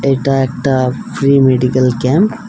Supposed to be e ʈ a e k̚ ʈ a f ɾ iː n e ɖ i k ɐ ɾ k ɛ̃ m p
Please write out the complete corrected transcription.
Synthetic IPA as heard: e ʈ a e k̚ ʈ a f ɾ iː m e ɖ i k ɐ l k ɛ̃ m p